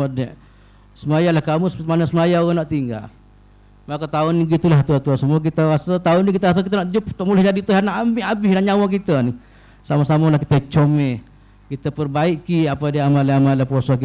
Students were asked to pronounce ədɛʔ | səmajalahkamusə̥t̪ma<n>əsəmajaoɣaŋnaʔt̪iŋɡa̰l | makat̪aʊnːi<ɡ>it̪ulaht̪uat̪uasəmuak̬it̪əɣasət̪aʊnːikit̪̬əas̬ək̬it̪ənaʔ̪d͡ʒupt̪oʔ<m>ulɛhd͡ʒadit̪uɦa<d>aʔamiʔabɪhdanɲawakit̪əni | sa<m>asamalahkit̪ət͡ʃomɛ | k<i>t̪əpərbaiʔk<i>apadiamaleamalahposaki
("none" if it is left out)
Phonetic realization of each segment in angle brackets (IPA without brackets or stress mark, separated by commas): n, ɡ, m, n, m, i, i